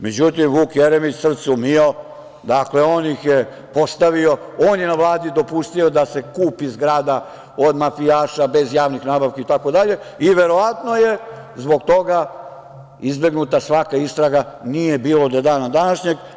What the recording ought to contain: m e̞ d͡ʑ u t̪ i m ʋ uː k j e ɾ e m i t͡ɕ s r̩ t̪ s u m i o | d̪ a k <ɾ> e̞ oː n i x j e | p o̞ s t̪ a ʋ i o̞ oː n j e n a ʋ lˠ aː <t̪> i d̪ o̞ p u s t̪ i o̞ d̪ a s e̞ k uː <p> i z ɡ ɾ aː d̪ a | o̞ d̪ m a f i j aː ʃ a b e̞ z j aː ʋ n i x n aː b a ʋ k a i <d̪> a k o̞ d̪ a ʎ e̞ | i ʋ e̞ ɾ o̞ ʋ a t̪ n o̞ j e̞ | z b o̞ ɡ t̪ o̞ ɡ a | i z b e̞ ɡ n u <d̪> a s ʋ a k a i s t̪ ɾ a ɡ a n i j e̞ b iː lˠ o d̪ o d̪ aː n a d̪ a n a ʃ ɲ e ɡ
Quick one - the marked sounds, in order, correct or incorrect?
incorrect: l, incorrect: d̪, correct, incorrect: t̪, incorrect: t̪

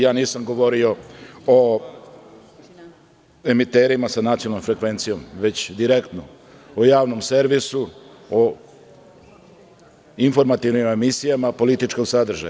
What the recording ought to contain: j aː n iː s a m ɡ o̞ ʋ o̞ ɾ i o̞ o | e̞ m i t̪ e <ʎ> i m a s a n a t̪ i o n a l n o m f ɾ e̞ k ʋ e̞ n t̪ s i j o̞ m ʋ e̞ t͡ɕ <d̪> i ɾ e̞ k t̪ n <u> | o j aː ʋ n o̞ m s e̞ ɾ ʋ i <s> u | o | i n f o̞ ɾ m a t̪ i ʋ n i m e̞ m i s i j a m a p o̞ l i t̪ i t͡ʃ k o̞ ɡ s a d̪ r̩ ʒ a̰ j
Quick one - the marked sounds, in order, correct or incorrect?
incorrect: ɾ, correct, incorrect: o, correct

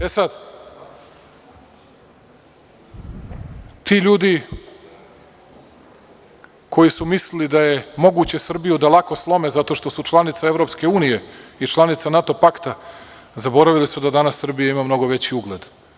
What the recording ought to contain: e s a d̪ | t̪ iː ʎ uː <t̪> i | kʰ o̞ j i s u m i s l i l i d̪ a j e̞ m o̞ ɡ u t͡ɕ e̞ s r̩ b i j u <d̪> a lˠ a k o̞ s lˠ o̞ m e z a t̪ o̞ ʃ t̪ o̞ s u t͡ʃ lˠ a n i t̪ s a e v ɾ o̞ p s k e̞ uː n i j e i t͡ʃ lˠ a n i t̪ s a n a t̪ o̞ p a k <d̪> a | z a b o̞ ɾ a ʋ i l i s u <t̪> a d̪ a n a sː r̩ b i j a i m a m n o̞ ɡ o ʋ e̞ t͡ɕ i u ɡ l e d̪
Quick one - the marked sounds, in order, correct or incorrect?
incorrect: d̪, correct, incorrect: t̪, incorrect: d̪

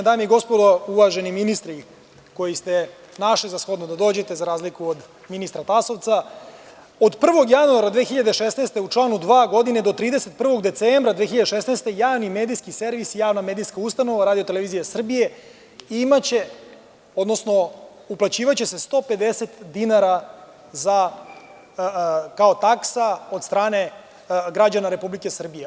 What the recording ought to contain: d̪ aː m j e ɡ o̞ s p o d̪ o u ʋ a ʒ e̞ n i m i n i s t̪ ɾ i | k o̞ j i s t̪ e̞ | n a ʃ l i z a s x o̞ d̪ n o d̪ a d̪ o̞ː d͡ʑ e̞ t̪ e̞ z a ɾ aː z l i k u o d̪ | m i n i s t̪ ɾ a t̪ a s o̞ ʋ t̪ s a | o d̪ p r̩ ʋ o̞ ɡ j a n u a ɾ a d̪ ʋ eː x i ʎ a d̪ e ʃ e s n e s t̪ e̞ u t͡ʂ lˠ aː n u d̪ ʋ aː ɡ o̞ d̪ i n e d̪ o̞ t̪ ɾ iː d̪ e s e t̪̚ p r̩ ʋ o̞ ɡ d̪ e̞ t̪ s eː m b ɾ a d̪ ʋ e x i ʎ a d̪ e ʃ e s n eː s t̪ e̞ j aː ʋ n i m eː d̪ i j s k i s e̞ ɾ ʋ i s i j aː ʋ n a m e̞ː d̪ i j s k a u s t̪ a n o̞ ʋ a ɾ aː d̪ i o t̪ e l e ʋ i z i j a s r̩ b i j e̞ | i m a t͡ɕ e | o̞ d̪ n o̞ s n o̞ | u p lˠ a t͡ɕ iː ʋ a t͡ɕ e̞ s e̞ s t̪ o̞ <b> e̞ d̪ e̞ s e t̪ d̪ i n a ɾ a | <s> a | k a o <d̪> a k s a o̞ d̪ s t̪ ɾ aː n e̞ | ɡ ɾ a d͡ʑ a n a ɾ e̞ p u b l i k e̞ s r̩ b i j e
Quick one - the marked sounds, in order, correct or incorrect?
incorrect: p, incorrect: z, incorrect: t̪

